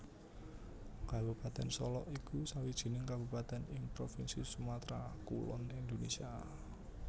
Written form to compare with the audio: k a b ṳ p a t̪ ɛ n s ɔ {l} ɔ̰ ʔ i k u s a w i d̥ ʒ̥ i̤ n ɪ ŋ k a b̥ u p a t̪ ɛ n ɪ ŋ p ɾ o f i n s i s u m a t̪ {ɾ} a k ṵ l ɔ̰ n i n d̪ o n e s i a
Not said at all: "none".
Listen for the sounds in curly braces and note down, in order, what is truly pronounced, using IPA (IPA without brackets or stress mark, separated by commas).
l, ɾ